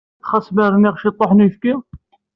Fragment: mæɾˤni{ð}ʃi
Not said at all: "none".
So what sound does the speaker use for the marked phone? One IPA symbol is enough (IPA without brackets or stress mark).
ʁ